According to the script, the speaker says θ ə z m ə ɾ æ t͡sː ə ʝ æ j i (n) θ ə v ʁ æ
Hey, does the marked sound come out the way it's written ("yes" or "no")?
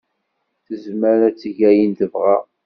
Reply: yes